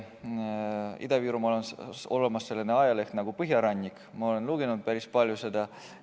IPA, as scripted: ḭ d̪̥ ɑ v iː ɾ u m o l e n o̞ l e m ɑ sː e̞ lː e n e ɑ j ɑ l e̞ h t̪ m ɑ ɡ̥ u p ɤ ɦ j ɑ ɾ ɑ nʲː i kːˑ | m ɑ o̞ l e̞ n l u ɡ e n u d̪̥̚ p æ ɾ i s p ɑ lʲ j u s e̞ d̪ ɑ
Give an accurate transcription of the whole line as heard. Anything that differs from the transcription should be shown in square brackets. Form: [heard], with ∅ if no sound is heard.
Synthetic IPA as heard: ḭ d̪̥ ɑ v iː ɾ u m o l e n o̞ l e m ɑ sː e̞ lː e n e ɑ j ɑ l e̞ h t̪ [n] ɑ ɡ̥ u p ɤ ɦ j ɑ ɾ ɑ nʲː i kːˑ | m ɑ o̞ l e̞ n l u ɡ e n u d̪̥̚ p æ ɾ i s p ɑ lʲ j u s e̞ d̪ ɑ